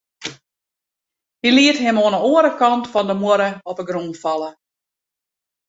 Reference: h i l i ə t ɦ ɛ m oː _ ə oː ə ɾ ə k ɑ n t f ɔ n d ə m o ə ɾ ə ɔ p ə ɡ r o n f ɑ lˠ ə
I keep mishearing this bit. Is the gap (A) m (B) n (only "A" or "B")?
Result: B